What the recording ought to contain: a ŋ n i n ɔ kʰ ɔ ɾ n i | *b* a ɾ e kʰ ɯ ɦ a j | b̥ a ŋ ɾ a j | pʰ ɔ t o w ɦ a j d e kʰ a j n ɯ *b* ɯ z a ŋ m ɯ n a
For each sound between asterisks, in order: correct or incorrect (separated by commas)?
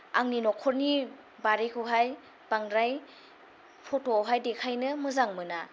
correct, incorrect